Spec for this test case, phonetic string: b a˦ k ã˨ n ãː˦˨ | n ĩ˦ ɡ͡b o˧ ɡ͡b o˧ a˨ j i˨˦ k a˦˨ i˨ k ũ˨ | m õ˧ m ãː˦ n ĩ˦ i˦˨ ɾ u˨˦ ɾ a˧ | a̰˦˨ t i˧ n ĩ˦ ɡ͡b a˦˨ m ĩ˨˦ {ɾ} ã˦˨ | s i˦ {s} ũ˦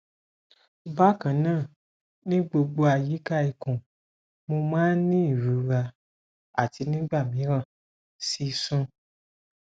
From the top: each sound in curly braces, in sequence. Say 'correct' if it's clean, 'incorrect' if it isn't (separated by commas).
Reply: correct, correct